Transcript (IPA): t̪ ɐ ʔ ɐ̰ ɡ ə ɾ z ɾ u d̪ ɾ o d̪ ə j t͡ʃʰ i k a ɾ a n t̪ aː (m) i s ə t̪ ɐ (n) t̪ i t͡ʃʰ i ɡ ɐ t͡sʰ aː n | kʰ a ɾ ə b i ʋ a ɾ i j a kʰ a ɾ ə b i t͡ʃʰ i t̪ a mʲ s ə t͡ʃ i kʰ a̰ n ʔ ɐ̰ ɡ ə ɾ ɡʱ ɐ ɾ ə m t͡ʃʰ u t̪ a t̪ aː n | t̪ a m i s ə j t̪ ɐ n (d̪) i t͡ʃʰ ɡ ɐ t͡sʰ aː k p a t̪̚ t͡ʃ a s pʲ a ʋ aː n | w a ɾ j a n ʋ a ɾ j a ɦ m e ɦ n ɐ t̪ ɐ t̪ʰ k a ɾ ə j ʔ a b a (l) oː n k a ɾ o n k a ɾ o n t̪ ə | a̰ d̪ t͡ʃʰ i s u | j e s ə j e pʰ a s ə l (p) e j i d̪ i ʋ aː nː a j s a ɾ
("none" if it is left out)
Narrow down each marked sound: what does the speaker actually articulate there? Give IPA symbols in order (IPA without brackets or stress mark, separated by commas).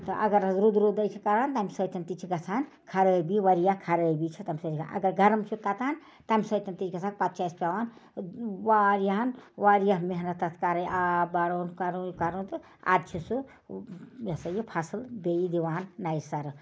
m, n, t̪, ɾ, b